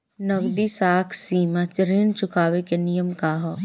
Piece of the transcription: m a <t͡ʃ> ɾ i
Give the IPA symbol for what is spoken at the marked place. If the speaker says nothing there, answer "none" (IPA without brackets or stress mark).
t͡ʃ